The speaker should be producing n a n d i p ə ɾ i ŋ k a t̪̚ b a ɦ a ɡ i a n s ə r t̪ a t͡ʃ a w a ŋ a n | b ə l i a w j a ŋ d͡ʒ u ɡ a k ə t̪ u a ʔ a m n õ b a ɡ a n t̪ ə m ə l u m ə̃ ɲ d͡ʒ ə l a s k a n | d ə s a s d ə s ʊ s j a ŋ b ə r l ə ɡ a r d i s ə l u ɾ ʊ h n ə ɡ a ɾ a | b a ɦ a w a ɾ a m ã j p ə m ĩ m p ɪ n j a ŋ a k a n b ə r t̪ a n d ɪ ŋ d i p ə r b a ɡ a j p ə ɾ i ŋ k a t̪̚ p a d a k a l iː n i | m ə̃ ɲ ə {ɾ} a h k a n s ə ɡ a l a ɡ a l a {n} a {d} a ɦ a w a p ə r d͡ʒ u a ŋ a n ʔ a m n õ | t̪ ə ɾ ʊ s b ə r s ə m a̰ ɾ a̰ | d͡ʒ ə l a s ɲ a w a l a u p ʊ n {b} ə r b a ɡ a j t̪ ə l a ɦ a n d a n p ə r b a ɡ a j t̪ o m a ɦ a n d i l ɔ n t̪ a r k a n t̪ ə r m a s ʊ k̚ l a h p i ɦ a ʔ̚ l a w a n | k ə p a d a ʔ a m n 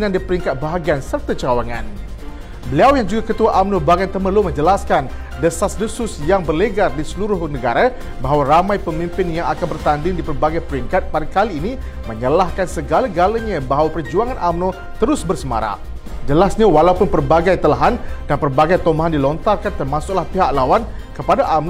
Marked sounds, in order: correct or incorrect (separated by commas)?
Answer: incorrect, incorrect, incorrect, incorrect